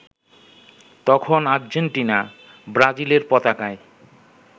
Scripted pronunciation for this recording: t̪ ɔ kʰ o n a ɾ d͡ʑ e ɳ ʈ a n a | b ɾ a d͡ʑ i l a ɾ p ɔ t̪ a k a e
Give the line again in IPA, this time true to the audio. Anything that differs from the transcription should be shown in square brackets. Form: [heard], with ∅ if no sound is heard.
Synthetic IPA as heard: t̪ ɔ kʰ o n a ɾ d͡ʑ e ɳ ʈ [i] n a | b ɾ a d͡ʑ i l [e] ɾ p ɔ t̪ a k a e